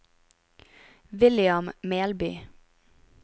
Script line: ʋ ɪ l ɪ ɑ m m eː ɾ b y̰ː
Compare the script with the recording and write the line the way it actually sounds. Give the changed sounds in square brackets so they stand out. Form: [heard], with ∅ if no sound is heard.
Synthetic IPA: ʋ ɪ l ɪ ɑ m m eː [l] b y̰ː

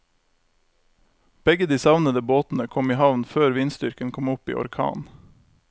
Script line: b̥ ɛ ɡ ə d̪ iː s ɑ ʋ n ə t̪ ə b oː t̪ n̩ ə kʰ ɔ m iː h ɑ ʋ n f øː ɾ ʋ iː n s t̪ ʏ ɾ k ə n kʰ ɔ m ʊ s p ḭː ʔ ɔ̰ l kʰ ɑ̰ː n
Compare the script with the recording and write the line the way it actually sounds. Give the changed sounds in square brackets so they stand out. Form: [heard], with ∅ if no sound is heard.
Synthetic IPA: b̥ ɛ ɡ ə d̪ iː s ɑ ʋ n ə [d̪] ə b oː t̪ n̩ ə kʰ ɔ m iː h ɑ ʋ n f øː ɾ ʋ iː n s t̪ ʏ ɾ k ə n kʰ ɔ m ʊ [∅] p ḭː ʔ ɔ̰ [ɾ] kʰ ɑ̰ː n

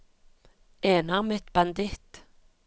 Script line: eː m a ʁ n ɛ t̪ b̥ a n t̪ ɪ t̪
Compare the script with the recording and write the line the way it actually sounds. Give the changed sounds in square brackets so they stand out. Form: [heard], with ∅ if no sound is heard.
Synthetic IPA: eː [n] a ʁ [m] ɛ t̪ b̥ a n [d̪] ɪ t̪

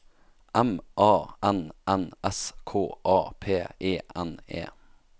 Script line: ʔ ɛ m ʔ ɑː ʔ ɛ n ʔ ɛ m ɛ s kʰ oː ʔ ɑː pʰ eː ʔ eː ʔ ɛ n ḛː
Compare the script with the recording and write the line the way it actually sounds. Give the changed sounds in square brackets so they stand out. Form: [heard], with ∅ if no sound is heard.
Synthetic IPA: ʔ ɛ m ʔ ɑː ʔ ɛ n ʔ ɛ [n] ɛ s kʰ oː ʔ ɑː pʰ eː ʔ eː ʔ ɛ n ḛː

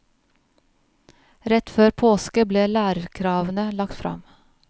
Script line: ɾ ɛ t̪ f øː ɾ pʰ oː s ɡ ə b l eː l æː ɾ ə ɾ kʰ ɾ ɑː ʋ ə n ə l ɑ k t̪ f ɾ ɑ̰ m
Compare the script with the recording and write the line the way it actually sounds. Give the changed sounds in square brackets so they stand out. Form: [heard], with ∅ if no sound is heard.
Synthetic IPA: ɾ ɛ t̪ f øː ɾ pʰ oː s [k] ə b l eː l æː ɾ ə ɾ kʰ ɾ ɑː ʋ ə n ə l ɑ k t̪ f ɾ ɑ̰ m

